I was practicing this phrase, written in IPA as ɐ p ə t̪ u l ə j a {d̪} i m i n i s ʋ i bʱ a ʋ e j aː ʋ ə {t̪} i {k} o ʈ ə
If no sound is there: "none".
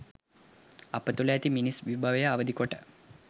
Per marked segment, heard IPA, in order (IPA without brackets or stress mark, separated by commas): t̪, d̪, k